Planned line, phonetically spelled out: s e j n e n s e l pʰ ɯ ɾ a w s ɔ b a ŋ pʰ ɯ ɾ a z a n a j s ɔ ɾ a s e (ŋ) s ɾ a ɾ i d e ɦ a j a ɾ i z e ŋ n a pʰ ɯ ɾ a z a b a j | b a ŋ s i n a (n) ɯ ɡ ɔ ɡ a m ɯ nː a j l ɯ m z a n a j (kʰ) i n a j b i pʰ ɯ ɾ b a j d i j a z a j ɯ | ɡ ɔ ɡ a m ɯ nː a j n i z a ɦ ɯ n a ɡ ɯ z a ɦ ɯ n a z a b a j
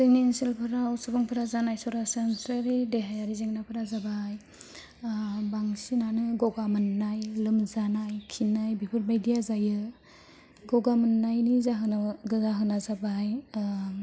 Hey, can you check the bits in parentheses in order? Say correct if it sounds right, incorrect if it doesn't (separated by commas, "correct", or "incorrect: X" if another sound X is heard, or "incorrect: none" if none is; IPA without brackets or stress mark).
incorrect: n, correct, correct